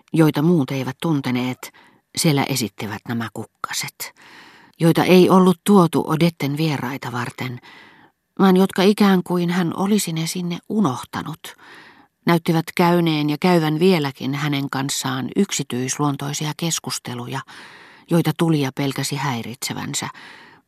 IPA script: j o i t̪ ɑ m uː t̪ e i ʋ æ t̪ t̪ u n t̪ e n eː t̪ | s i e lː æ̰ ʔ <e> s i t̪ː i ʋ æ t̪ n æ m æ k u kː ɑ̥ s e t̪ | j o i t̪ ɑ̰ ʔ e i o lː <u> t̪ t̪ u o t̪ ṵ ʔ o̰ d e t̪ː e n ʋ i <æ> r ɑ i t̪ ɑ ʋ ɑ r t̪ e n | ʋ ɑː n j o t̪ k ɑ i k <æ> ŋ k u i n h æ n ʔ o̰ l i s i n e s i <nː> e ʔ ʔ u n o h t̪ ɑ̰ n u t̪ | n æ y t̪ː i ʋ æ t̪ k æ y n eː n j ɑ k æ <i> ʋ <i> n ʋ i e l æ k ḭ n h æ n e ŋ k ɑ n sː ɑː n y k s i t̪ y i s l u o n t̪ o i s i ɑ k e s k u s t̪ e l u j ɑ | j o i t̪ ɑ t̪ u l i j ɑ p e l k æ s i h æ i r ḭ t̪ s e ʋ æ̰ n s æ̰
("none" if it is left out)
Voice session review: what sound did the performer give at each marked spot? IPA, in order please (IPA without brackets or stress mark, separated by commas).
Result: e, u, e, æː, nː, y, æ